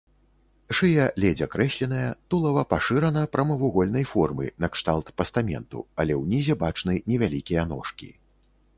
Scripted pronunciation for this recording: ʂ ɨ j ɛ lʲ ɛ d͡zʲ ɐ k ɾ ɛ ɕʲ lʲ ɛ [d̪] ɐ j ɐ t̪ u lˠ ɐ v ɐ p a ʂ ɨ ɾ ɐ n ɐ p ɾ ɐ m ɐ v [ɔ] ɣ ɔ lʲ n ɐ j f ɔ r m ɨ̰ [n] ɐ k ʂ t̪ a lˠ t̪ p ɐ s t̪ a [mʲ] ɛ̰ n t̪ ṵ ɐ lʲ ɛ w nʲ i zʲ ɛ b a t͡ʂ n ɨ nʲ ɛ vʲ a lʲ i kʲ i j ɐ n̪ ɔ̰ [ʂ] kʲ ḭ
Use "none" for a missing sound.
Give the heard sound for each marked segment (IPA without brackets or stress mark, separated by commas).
n̪, u, n, mʲ, ʂ